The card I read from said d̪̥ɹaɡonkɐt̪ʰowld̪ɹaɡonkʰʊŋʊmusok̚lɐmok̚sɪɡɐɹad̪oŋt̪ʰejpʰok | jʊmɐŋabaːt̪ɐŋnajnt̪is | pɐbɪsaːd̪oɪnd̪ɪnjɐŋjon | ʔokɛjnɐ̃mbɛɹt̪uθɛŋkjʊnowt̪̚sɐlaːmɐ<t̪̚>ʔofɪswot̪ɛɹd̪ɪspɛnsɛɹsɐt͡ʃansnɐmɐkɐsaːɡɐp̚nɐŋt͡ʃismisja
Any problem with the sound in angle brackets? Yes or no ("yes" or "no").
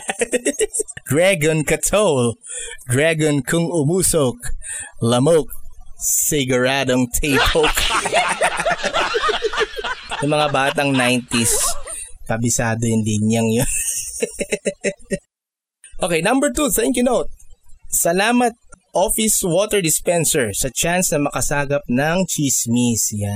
no